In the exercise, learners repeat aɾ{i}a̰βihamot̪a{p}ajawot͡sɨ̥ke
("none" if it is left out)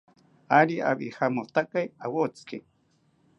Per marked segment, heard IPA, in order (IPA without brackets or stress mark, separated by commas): i, k